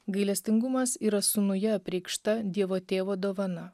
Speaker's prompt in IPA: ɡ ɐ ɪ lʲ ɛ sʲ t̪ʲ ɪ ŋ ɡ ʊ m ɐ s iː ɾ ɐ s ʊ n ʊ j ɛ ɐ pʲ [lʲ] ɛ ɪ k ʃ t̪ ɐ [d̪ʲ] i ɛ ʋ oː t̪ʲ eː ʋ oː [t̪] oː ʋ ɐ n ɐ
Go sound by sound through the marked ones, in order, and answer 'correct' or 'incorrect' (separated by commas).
incorrect, correct, incorrect